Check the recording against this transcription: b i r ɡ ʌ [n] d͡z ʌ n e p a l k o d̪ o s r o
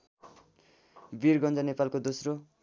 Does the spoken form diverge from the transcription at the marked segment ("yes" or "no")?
no